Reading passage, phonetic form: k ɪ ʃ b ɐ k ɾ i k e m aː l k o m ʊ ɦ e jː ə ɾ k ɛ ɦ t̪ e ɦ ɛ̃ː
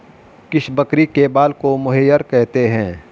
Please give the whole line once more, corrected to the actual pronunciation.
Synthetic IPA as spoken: k ɪ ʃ b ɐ k ɾ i k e b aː l k o m ʊ ɦ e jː ə ɾ k ɛ ɦ t̪ e ɦ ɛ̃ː